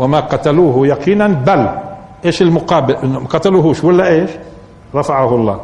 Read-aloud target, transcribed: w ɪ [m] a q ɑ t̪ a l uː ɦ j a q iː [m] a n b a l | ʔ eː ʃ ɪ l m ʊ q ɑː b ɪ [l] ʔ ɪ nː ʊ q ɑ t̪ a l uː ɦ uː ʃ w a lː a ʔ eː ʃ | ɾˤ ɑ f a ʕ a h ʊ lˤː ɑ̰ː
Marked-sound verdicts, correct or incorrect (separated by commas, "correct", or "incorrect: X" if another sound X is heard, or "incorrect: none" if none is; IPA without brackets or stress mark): correct, incorrect: n, correct